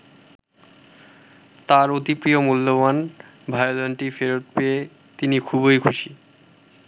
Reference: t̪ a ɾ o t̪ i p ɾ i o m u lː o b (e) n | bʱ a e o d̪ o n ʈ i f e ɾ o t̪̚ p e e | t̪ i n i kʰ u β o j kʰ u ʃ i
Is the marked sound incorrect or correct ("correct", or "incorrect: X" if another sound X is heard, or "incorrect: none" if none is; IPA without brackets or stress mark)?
incorrect: a